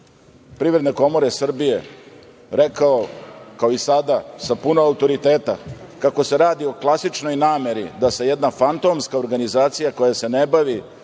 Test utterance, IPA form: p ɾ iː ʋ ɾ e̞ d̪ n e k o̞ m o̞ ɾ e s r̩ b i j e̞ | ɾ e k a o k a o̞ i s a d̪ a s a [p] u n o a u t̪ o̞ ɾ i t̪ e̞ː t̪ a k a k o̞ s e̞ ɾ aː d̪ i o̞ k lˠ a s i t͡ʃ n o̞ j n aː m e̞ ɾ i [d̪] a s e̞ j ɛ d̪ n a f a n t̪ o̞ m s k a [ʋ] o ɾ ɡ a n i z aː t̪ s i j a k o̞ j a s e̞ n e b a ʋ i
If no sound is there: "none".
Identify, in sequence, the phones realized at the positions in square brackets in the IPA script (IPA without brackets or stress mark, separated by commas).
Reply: p, d̪, none